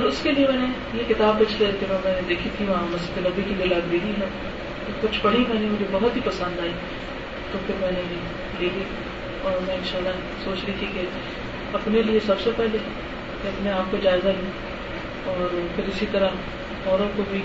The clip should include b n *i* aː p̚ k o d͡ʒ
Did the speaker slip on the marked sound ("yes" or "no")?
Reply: yes